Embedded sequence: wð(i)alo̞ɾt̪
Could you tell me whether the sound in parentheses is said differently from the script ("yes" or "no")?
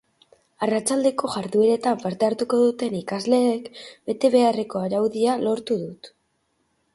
no